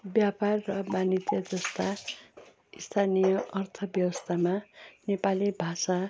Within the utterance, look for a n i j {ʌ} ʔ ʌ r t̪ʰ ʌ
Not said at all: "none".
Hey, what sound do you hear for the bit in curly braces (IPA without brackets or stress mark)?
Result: ʌ